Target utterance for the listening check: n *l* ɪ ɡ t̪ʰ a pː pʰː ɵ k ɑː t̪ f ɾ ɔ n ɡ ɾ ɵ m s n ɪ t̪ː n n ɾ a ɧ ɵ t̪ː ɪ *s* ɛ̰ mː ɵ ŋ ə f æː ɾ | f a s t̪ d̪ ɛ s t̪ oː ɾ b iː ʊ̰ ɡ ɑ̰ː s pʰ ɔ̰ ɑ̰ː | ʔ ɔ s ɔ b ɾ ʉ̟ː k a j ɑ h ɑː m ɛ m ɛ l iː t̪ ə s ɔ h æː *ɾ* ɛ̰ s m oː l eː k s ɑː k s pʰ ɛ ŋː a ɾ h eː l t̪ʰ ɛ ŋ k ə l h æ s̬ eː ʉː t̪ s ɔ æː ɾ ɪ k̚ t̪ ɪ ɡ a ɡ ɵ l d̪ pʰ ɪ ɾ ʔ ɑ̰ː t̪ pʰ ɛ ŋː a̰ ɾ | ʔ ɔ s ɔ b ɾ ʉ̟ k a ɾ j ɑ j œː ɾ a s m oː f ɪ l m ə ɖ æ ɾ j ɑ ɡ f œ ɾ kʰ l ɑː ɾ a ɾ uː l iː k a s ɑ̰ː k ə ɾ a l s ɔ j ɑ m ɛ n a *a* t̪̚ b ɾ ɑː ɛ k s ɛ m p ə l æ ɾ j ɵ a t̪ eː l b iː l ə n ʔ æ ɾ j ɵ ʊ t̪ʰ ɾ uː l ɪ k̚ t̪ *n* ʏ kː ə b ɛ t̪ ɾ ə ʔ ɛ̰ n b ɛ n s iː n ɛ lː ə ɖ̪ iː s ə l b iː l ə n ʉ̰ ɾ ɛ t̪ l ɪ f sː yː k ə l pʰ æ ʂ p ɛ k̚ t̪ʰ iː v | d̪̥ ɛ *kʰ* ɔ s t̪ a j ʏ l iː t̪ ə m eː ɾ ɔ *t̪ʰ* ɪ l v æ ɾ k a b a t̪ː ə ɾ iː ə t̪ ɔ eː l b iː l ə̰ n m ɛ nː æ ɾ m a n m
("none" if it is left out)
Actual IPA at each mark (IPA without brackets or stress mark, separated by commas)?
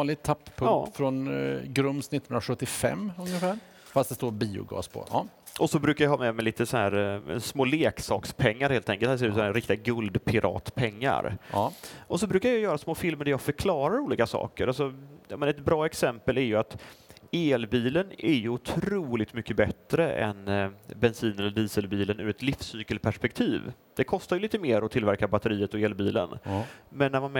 l, f, ɾ, ɛ, m, kʰ, t̪ʰ